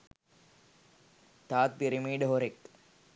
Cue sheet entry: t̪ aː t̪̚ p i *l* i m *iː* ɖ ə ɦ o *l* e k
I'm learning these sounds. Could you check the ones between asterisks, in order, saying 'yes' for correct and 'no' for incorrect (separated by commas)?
no, yes, no